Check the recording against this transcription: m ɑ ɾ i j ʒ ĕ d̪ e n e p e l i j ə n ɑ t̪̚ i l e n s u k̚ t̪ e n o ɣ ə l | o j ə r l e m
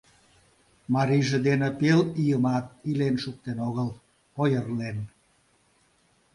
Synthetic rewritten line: m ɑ ɾ i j ʒ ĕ d̪ e n e p e l i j ə m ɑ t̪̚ i l e n ʃ u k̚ t̪ e n o ɣ ə l | o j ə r l e n